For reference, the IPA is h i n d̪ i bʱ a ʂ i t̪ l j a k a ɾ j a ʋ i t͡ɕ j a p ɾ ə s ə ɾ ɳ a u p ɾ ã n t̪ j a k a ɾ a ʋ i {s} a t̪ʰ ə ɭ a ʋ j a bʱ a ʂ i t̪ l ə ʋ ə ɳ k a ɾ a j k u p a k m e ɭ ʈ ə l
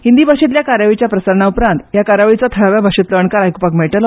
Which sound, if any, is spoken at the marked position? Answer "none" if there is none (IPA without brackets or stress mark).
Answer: t͡s